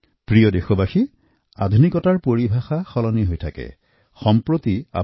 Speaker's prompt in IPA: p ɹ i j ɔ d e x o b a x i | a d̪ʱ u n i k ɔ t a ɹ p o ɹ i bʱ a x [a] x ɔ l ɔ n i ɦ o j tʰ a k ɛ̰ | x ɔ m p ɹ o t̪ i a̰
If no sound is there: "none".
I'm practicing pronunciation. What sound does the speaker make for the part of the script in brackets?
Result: a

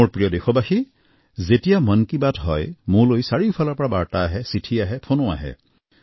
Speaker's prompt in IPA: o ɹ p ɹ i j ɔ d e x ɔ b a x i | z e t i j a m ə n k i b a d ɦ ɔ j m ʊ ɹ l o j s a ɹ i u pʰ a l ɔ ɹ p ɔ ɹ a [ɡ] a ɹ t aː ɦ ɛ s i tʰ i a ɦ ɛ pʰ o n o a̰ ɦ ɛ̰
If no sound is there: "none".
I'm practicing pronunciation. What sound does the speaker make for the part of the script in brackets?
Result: b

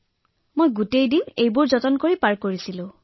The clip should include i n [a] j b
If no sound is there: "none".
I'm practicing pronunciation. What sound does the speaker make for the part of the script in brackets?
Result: e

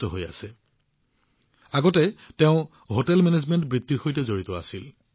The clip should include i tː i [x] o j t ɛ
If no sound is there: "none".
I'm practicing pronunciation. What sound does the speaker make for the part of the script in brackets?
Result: x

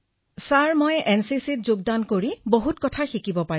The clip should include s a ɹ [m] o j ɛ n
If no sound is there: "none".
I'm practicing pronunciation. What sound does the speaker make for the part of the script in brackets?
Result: m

